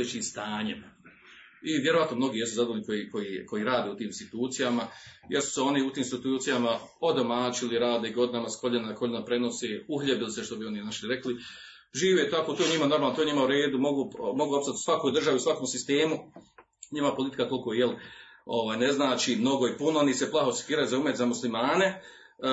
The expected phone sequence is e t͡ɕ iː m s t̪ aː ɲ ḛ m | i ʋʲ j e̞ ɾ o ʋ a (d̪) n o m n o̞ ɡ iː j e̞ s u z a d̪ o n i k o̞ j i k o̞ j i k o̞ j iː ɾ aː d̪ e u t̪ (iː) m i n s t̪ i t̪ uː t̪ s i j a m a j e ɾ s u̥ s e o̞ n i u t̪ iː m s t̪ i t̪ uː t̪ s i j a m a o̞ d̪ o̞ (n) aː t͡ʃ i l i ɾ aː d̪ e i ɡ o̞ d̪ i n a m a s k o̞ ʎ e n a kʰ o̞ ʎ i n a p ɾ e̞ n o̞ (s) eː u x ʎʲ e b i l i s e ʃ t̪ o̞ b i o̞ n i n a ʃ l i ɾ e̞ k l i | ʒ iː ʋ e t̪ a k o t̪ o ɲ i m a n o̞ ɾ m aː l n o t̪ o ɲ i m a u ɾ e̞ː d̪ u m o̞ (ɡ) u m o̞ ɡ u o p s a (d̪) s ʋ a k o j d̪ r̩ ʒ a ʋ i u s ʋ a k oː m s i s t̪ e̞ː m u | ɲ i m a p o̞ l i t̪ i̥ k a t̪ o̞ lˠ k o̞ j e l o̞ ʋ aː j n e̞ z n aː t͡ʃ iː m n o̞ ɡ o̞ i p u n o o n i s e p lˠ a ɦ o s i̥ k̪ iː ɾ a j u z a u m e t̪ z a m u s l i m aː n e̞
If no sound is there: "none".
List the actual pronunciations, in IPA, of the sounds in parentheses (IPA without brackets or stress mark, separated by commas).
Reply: t̪, iː, m, s, ɡ, t̪